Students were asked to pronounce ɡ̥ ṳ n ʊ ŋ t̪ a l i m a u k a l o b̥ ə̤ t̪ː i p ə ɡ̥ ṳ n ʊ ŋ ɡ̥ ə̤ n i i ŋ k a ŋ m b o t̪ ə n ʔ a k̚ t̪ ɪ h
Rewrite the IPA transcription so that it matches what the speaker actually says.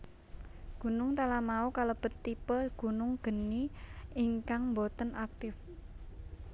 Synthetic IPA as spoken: ɡ̥ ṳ n ʊ ŋ t̪ a l a m a u k a l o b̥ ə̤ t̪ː i p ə ɡ̥ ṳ n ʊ ŋ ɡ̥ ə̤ n i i ŋ k a ŋ m b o t̪ ə n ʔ a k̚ t̪ ɪ f